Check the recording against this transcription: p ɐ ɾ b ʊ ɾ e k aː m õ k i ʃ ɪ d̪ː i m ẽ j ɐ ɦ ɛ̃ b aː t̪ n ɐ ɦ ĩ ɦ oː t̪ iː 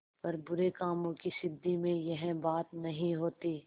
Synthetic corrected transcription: p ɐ ɾ b ʊ ɾ e k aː m õ k i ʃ ɪ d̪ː i m ẽ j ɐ ɦ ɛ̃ b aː t̪ n ɐ ɦ ĩ ɦ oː t̪ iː